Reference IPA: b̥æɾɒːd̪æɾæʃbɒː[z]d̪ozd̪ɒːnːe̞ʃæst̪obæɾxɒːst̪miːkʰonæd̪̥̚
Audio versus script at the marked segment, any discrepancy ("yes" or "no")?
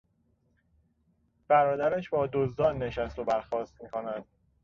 yes